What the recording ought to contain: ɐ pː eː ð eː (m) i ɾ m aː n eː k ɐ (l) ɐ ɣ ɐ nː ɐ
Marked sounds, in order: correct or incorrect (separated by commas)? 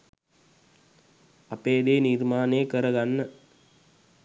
incorrect, incorrect